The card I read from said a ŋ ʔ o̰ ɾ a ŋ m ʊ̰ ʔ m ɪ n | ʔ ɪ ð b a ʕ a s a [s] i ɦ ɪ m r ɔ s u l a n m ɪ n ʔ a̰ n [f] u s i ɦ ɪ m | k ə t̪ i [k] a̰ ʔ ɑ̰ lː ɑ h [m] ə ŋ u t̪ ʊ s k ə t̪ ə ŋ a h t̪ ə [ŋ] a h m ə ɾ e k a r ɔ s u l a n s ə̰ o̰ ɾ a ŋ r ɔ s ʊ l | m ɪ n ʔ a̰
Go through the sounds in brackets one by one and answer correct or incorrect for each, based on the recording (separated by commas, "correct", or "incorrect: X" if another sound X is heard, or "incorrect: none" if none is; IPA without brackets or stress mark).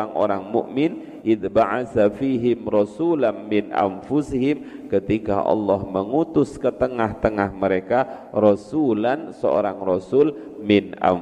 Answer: incorrect: f, correct, correct, correct, correct